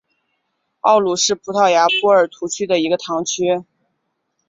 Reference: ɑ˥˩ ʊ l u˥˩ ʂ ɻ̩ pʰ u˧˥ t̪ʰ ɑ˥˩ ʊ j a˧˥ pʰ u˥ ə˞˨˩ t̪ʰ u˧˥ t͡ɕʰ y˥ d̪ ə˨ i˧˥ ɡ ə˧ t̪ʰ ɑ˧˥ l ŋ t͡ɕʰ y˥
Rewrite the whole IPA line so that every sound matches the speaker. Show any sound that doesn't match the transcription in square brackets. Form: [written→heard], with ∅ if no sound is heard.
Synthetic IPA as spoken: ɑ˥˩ ʊ l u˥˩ ʂ ɻ̩ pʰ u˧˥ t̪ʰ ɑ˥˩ ʊ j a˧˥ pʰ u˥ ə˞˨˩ t̪ʰ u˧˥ t͡ɕʰ y˥ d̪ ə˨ i˧˥ ɡ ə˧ t̪ʰ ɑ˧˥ [l→∅] ŋ t͡ɕʰ y˥